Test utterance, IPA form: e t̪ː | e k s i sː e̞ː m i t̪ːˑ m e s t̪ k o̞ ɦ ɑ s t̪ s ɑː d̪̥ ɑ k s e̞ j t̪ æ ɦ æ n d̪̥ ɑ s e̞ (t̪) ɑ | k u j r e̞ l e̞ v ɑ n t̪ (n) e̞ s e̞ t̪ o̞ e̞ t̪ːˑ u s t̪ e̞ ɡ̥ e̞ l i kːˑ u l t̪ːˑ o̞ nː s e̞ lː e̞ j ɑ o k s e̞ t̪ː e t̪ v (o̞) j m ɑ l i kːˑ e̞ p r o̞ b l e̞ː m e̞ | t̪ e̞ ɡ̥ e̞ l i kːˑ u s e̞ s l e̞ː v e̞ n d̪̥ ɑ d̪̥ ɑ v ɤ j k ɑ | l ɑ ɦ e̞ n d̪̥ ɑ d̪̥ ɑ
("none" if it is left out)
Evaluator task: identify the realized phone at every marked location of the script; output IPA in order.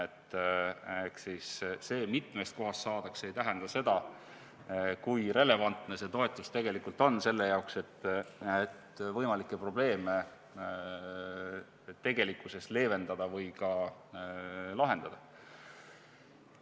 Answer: d̪, n, ɤ̞

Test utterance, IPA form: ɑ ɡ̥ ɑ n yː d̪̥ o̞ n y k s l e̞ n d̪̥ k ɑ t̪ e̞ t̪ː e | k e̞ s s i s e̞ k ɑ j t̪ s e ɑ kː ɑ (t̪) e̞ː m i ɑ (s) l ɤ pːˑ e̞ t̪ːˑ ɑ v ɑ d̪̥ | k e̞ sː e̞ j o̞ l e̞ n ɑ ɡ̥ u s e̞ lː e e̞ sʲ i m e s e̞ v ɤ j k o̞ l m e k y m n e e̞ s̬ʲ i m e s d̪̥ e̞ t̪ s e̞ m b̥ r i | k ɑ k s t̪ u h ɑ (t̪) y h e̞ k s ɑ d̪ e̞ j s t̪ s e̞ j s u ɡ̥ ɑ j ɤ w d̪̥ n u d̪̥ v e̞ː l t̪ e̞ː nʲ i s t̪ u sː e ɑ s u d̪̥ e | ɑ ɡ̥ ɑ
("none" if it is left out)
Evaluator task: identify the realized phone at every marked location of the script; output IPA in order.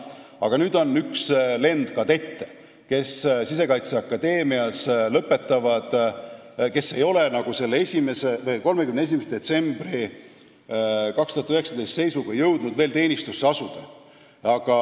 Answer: d̪, s, t̪

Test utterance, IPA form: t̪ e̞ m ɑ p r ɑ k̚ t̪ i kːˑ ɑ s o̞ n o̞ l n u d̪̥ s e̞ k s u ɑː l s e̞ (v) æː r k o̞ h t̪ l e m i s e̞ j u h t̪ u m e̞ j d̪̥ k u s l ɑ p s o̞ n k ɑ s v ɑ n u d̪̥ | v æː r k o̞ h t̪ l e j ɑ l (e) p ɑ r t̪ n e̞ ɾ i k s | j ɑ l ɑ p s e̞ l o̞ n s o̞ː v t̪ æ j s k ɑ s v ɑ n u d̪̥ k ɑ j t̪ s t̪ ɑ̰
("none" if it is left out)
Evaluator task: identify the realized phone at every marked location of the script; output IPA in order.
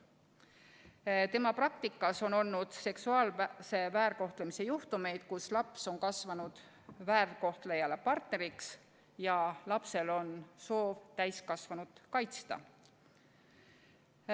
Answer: v, e

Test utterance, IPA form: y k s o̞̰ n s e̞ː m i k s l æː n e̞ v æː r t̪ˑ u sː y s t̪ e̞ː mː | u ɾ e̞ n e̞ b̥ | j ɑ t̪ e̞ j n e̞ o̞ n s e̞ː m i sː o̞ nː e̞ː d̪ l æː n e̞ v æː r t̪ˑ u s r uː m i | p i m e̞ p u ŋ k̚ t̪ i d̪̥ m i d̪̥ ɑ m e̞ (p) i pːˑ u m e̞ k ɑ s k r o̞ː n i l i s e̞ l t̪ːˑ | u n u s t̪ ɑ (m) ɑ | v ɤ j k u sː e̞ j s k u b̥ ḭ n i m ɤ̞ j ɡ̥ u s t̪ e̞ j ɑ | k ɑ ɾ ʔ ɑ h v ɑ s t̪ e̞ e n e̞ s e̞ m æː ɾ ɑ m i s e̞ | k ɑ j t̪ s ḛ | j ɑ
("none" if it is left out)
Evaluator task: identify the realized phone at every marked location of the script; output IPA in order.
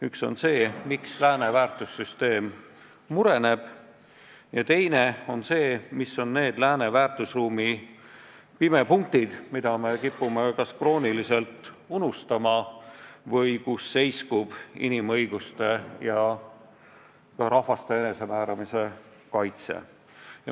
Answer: k, m

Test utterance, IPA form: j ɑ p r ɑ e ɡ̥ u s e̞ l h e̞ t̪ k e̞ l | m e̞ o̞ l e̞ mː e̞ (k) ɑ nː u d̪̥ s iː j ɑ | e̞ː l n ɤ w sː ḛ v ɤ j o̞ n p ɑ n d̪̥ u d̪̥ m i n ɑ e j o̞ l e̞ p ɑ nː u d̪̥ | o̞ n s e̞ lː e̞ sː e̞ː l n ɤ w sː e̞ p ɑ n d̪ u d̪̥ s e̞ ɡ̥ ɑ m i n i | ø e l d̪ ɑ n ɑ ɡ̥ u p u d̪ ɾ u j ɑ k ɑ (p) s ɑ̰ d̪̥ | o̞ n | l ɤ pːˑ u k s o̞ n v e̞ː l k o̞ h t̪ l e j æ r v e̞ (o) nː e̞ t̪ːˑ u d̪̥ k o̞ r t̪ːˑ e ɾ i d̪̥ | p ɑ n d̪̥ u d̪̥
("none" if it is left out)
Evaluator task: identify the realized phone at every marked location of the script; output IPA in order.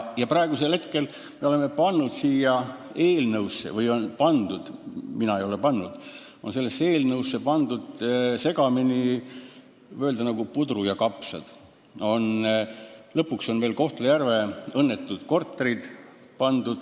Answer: p, p, ɤ

